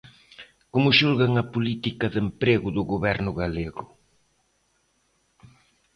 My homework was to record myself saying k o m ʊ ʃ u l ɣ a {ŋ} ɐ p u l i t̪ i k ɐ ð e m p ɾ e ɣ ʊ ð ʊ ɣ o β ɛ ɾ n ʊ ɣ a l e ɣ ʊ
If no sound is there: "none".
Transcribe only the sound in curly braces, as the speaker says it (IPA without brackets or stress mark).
ŋ